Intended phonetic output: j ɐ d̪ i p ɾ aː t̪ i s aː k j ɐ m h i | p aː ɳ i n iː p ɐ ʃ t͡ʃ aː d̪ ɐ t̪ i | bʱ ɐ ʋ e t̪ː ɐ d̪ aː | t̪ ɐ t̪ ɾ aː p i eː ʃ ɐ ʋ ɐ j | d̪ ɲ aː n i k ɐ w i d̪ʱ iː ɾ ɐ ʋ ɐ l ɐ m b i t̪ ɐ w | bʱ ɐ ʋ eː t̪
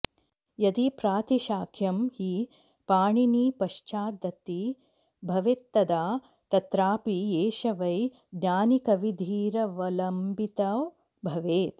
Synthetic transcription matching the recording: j ɐ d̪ i p ɾ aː t̪ i ʃ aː kʰ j ɐ m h i | p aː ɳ i n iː p ɐ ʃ t͡ʃ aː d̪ ɐ t̪ i | bʱ ɐ ʋ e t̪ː ɐ d̪ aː | t̪ ɐ t̪ ɾ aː p i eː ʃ ɐ ʋ ɐ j | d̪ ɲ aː n i k ɐ ʋ i d̪ʱ iː ɾ ɐ ʋ ɐ l ɐ m b i t̪ ɐ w | bʱ ɐ ʋ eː t̪

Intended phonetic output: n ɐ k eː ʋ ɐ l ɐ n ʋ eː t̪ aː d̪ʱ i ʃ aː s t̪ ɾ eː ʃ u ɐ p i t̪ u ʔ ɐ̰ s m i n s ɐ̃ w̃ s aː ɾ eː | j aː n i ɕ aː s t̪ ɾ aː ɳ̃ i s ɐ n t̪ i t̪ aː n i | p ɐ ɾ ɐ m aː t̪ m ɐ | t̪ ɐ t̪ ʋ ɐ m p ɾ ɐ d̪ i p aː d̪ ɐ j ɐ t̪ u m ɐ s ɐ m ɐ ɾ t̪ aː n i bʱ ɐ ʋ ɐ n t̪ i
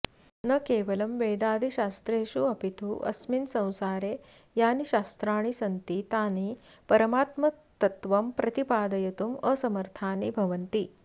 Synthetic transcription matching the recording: n ɐ k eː ʋ ɐ l ɐ m ʋ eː d̪ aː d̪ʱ i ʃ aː s t̪ ɾ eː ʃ u ɐ p i t̪ u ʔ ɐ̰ s m i n s ɐ̃ w̃ s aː ɾ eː | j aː n i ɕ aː s t̪ ɾ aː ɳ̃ i s ɐ n t̪ i t̪ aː n i | p ɐ ɾ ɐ m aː t̪ m ɐ | t̪ ɐ t̪ ʋ ɐ m p ɾ ɐ t̪ i p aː d̪ ɐ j ɐ t̪ u m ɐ s ɐ m ɐ ɾ t̪ʰ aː n i bʱ ɐ ʋ ɐ n t̪ i

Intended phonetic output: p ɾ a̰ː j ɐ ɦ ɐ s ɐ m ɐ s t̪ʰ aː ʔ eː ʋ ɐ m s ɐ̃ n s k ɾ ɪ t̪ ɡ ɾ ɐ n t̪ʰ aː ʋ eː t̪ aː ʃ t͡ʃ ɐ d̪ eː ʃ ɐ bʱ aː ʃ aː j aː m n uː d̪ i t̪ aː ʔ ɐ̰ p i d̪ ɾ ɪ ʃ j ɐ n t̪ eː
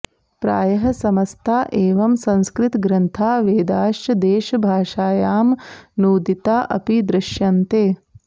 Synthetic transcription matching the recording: p ɾ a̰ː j ɐ ɦ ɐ s ɐ m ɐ s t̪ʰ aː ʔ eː ʋ ɐ m s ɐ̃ n s k ɾ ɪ t̪ ɡ ɾ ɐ n t̪ʰ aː ʋ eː d̪ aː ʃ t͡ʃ ɐ d̪ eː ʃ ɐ bʱ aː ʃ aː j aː m n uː d̪ i t̪ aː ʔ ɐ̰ p i d̪ ɾ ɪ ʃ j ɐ n t̪ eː

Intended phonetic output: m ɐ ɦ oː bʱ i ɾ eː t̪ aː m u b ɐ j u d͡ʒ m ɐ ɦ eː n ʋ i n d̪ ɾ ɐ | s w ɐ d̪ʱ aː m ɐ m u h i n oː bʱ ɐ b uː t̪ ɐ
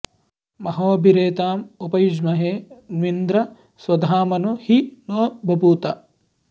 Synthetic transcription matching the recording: m ɐ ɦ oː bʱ i ɾ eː t̪ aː m u p ɐ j u d͡ʒ m ɐ ɦ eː n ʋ i n d̪ ɾ ɐ | s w ɐ d̪ʱ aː m ɐ n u h i n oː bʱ ɐ b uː t̪ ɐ

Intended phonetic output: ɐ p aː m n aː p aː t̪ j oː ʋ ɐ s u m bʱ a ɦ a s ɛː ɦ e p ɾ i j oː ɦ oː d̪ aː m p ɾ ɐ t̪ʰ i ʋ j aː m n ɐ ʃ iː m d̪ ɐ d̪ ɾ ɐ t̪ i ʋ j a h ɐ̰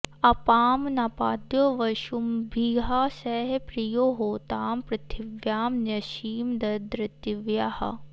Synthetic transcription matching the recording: ɐ p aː m n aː p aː d̪ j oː ʋ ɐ ʃ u m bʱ i ɦ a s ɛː ɦ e p ɾ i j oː ɦ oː t̪ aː m p ɾ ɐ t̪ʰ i ʋ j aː m n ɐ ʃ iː m d̪ ɐ d̪ ɾ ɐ t̪ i ʋ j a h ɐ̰

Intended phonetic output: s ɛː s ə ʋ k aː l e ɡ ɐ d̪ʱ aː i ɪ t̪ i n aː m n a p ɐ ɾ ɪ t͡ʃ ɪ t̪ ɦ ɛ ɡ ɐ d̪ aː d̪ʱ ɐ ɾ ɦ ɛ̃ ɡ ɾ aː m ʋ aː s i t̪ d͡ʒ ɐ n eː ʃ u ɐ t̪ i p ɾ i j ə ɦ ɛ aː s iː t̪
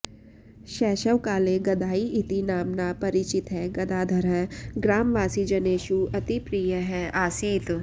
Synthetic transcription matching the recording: ʃ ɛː ʃ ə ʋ k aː l e ɡ ɐ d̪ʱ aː i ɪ t̪ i n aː m n a p ɐ ɾ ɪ t͡ʃ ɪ t̪ ɦ ɛ ɡ ɐ d̪ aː d̪ʱ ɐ ɾ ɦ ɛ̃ ɡ ɾ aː m ʋ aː s i d͡ʒ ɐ n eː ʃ u ɐ t̪ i p ɾ i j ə ɦ ɛ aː s iː t̪

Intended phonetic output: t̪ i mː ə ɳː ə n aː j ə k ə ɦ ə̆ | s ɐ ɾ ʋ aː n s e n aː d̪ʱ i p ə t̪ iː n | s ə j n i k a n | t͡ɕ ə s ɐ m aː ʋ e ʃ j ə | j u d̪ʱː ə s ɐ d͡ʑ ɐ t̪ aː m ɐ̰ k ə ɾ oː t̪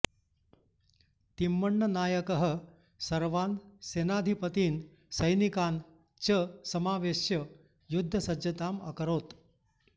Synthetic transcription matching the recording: t̪ i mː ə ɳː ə n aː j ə k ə ɦ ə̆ | s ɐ ɾ ʋ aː n s e n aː d̪ʱ i p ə t̪ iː n | s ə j n i k a n | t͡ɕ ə s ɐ m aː ʋ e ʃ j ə | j u d̪ʱː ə s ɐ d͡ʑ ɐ t̪ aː m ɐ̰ k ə ɾ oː t̪

